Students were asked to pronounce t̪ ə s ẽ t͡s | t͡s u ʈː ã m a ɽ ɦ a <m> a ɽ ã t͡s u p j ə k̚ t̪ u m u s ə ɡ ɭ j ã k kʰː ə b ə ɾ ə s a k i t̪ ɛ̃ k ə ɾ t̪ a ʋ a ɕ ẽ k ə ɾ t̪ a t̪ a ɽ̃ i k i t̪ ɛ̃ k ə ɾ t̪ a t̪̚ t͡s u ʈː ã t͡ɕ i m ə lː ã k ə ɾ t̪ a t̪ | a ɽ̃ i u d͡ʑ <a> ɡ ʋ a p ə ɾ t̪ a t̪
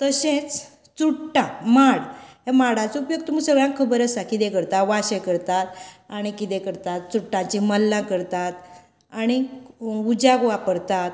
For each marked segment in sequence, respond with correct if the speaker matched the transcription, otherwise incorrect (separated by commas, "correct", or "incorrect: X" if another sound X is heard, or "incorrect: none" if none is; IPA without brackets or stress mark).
correct, correct